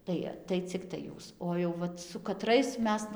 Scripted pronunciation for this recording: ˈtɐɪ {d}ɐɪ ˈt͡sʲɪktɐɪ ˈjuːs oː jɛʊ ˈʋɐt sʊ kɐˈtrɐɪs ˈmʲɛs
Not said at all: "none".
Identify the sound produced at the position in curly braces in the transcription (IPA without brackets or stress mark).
t